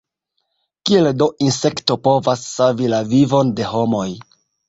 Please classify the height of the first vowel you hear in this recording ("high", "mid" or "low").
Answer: high